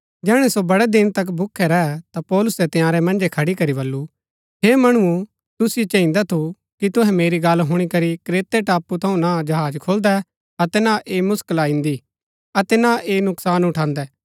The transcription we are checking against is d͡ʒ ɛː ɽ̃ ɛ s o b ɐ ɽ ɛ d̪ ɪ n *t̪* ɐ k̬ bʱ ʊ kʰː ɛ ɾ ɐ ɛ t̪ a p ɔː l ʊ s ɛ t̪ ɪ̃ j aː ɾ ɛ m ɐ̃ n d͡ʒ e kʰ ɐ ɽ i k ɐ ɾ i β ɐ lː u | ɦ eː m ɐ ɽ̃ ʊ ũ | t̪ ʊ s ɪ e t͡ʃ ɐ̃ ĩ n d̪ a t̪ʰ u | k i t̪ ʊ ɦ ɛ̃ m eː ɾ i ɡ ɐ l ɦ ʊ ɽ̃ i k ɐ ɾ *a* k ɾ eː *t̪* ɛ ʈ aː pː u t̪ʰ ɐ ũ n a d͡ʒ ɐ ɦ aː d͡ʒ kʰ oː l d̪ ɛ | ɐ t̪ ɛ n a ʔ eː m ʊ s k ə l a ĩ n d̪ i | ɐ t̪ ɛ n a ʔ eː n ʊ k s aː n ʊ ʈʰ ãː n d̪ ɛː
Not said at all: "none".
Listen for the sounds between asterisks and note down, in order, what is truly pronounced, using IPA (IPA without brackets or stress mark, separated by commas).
t̪, i, t̪